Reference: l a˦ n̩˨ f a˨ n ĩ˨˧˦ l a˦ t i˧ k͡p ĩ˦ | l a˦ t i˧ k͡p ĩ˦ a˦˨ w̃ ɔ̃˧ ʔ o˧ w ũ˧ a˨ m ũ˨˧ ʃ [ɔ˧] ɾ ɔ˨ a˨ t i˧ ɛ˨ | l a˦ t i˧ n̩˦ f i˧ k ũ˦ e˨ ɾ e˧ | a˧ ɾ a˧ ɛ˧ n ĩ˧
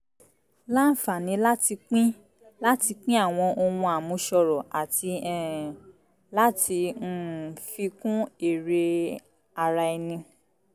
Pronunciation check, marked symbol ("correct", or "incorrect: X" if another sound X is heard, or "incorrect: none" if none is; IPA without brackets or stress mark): correct